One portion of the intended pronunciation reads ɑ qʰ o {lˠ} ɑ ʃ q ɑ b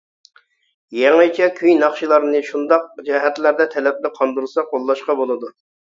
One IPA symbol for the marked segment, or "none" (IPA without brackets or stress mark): lˠː